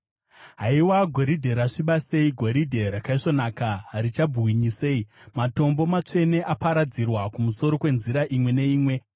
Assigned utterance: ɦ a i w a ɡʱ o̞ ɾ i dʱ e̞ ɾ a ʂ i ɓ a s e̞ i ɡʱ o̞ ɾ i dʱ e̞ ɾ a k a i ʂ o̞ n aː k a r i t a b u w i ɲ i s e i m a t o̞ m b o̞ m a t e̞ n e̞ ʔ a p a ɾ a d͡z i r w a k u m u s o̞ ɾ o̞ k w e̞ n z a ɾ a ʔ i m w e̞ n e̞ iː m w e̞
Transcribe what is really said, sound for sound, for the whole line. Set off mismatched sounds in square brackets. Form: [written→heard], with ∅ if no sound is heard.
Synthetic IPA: ɦ a i w a ɡʱ o̞ ɾ i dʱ e̞ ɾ a ʂ i ɓ a s e̞ i ɡʱ o̞ ɾ i dʱ e̞ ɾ a k a i ʂ o̞ n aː k a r i [t→t͡ʃ] a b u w i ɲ i s e i m a t o̞ m b o̞ m a [t→t͡ʂ] e̞ n e̞ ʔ a p a ɾ a d͡z i r w a k u m u s o̞ ɾ o̞ k w e̞ n z [a→i] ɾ a ʔ i m w e̞ n e̞ iː m w e̞

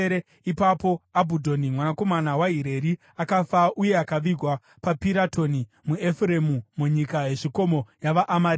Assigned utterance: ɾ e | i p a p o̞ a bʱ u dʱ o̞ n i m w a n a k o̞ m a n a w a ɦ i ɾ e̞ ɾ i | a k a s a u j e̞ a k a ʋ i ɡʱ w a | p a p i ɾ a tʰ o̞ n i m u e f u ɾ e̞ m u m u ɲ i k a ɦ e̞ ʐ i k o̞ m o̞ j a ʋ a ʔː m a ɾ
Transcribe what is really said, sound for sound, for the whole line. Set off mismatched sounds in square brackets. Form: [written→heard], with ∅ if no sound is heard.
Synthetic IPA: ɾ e | i p a p o̞ a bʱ u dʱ o̞ n i m w a n a k o̞ m a n a w a ɦ i ɾ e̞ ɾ i | a k a [s→f] a u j e̞ a k a ʋ i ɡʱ w a | p a p i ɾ a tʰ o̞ n i m u e f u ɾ e̞ m u m u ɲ i k a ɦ e̞ ʐ i k o̞ m o̞ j a ʋ a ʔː m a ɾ

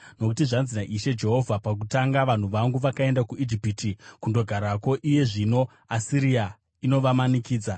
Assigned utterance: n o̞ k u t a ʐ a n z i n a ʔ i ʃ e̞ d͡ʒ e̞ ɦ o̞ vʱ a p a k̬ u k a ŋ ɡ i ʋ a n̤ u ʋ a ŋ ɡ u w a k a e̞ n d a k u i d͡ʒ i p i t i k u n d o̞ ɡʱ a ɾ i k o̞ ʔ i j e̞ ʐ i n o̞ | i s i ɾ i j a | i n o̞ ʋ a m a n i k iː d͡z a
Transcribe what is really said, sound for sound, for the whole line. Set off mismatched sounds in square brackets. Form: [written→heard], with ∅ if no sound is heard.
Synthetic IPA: n o̞ k u t [a→i] ʐ a n z i n a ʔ i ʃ e̞ d͡ʒ e̞ ɦ o̞ vʱ a p a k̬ u [k→t] a ŋ ɡ [i→a] ʋ a n̤ u ʋ a ŋ ɡ u [w→ʋ] a k a e̞ n d a k u i d͡ʒ i p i t i k u n d o̞ ɡʱ a ɾ [i→a] k o̞ ʔ i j e̞ ʐ i n o̞ | [i→a] s i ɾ i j a | i n o̞ ʋ a m a n i k iː d͡z a

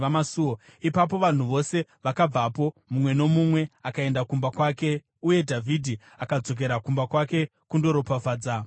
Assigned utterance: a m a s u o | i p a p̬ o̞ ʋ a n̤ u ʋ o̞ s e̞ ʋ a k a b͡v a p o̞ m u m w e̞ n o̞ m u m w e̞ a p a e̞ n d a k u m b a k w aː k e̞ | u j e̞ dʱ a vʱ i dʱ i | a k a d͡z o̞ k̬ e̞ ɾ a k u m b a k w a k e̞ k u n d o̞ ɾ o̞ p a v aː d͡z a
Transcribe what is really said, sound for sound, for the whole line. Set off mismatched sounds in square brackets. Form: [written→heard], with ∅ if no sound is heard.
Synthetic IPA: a m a s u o | i p a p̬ o̞ ʋ a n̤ u ʋ o̞ s e̞ ʋ a k a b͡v a p o̞ m u m w e̞ n o̞ m u m w e̞ a [p→k] a e̞ n d a k u m b a k w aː k e̞ | u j e̞ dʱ a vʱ i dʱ i | a k a d͡z o̞ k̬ e̞ ɾ a k u m b a k w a k e̞ k u n d o̞ ɾ o̞ p a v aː d͡z a

